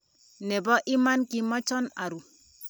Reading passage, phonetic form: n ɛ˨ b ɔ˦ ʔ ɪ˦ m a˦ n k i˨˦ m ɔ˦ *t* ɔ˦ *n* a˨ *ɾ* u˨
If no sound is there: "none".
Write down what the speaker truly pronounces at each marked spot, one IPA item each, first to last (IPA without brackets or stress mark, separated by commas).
t͡ʃ, n, ɾ